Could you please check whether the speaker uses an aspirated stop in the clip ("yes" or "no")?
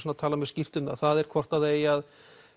yes